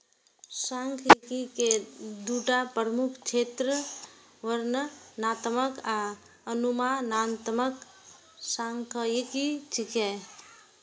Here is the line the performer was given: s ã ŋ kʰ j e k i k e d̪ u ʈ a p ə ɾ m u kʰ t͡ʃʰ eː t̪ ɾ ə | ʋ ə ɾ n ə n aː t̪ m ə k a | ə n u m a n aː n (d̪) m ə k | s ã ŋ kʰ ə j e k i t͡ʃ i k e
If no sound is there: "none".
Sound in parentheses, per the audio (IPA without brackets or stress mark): t̪